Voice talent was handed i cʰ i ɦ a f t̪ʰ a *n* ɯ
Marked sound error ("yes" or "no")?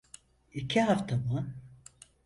yes